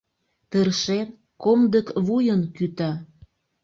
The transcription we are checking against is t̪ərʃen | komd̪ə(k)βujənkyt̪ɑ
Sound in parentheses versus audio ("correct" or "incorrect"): correct